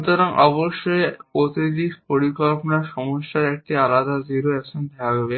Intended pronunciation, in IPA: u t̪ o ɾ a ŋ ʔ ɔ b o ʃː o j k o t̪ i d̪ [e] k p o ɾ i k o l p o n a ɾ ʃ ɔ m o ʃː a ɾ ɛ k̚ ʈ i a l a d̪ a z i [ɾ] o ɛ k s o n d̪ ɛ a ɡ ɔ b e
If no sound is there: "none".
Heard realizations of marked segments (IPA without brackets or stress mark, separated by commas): i, ɾ